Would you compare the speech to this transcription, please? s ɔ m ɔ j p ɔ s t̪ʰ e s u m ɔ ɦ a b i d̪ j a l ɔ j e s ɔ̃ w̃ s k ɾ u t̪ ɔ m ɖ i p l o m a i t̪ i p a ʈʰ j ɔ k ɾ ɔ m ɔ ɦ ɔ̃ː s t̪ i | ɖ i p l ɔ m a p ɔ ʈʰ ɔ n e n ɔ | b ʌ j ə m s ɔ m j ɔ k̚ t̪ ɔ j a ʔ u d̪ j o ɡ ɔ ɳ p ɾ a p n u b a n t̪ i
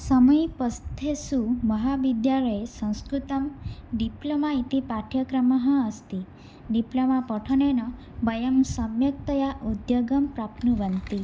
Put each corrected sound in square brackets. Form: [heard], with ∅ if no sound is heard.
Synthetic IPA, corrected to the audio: s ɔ m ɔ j p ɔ s t̪ʰ e s u m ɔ ɦ a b i d̪ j a l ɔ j e s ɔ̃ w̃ s k ɾ u t̪ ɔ m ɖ i p l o m a i t̪ i p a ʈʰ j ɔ k ɾ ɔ m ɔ ɦ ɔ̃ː s t̪ i | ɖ i p l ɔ m a p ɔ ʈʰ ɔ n e n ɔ | b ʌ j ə m s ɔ m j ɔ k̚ t̪ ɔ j a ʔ u d̪ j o ɡ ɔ [m] p ɾ a p n u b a n t̪ i